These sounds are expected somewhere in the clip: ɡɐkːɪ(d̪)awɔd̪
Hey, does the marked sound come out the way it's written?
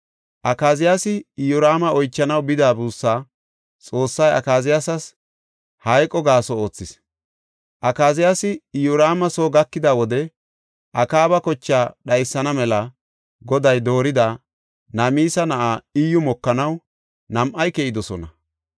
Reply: yes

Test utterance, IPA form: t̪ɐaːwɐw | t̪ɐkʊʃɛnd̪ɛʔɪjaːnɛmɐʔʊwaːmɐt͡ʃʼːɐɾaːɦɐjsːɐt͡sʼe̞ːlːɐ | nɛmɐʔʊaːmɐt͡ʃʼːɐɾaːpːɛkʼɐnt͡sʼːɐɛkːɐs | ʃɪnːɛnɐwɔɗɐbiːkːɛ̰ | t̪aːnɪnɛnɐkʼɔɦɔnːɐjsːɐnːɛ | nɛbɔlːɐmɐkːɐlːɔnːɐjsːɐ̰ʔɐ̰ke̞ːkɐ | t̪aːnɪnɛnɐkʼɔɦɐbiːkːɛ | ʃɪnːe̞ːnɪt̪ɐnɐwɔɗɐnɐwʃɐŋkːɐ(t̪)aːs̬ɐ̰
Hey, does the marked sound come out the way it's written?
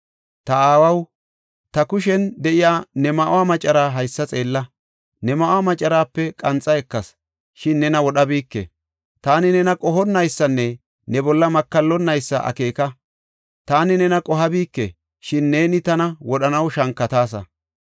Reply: yes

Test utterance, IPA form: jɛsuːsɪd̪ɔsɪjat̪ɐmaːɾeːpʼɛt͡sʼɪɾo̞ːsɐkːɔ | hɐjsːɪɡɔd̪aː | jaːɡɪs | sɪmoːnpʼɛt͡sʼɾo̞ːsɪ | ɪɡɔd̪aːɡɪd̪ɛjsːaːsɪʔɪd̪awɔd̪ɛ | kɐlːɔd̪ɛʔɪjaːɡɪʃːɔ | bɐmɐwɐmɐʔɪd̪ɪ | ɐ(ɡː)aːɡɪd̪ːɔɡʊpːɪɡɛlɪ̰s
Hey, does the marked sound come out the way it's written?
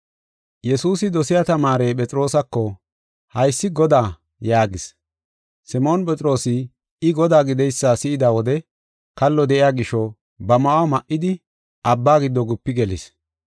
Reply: no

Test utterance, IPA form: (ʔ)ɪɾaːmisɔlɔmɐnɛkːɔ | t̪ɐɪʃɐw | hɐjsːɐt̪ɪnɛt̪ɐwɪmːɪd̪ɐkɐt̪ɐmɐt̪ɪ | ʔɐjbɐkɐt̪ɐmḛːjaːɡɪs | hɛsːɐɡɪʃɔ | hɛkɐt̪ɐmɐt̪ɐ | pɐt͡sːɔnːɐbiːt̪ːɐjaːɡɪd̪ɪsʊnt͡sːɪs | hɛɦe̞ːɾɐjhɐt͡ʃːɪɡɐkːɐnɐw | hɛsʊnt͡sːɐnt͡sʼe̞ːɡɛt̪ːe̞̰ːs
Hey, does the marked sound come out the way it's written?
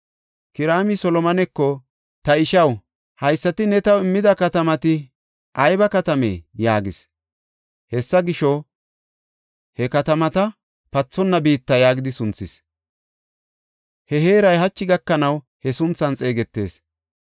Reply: no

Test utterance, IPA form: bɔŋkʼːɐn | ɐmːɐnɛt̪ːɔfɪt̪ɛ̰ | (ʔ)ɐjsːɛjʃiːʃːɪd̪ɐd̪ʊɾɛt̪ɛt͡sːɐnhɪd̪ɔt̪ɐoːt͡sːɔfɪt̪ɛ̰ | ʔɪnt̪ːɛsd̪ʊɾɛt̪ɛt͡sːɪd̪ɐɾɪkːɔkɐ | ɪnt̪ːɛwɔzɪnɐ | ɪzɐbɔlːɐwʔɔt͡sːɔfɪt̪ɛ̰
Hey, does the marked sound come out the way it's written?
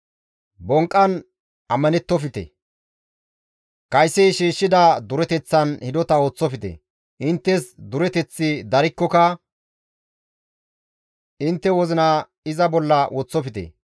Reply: no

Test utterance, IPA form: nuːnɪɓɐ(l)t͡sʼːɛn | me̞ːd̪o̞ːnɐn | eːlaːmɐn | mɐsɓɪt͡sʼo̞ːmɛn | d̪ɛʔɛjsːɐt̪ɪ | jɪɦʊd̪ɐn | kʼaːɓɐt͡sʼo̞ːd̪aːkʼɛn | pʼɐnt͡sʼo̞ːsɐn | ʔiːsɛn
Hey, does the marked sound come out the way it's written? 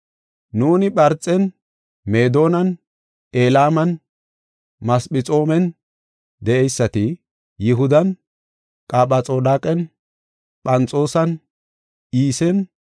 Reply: no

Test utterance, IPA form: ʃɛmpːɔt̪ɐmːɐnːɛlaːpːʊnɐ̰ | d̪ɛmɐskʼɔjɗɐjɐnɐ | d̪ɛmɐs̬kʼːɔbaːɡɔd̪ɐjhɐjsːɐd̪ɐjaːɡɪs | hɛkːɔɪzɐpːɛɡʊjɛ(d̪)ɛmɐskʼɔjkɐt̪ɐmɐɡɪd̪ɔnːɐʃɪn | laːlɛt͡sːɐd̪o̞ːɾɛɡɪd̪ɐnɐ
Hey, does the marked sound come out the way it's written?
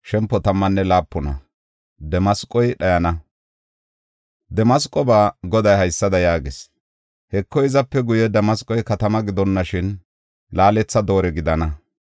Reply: yes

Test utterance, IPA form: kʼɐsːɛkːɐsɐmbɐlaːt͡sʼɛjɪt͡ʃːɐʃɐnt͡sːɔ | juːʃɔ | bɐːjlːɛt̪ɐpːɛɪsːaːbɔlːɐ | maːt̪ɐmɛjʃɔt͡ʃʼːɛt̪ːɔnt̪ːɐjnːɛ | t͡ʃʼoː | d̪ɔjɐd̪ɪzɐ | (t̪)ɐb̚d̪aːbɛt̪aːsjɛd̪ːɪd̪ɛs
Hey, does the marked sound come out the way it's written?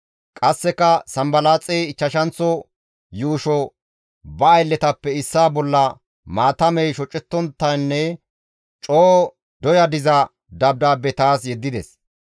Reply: no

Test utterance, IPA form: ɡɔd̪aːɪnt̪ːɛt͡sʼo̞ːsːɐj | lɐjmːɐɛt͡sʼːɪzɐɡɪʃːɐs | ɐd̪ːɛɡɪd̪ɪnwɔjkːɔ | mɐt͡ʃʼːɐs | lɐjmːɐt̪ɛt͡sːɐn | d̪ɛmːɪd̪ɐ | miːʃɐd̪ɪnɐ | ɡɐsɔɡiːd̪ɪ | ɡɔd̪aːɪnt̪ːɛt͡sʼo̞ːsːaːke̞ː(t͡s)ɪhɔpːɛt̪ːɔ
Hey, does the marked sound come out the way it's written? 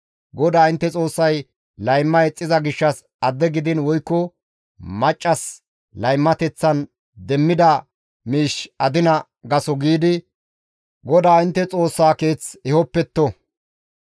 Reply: yes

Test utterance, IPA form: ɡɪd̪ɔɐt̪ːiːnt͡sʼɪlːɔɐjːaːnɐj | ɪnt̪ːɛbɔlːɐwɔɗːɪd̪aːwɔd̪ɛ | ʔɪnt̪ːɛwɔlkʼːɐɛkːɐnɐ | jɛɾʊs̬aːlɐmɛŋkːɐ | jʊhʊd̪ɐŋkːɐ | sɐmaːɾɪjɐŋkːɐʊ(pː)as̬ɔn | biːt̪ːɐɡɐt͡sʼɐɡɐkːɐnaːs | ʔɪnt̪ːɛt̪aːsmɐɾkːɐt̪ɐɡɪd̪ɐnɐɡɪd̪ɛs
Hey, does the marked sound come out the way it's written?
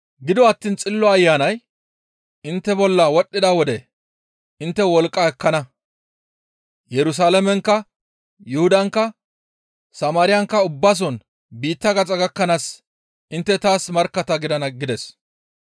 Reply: no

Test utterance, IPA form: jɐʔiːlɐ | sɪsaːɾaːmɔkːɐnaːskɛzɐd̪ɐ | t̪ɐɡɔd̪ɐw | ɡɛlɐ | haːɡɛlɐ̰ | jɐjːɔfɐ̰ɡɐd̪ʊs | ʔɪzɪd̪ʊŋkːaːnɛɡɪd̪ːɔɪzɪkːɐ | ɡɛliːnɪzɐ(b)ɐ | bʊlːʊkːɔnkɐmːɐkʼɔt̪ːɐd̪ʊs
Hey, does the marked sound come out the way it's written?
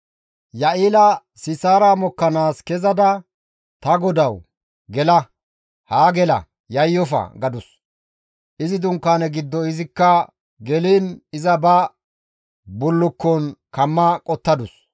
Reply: yes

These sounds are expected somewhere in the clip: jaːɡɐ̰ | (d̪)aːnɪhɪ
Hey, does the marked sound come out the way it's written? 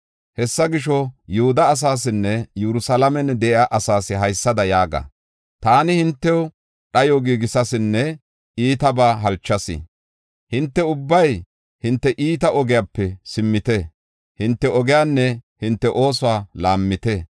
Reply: no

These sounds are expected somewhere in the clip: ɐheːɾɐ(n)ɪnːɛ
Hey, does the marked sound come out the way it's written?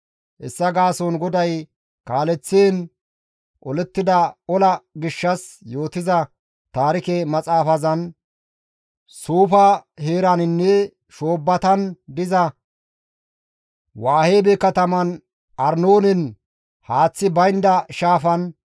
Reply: yes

